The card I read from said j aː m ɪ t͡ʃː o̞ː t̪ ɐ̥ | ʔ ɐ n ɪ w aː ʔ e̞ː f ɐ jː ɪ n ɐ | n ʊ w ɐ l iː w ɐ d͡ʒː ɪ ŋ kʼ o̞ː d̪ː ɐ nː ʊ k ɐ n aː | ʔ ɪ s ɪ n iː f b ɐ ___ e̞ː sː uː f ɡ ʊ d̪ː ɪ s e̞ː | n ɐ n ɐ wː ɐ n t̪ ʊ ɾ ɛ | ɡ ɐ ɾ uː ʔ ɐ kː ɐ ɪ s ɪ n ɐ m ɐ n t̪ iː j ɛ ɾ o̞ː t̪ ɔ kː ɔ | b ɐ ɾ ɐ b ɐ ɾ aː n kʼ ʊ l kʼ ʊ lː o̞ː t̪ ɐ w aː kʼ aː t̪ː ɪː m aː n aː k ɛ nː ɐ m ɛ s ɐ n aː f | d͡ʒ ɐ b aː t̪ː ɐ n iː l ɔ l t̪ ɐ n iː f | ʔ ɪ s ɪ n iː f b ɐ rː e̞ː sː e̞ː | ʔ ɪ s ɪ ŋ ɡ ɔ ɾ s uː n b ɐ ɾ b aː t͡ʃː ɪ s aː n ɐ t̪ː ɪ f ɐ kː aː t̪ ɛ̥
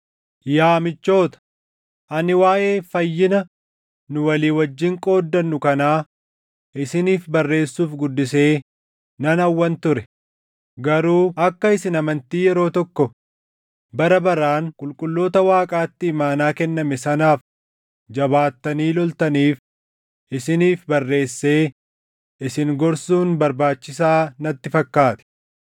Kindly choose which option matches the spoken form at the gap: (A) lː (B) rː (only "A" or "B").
B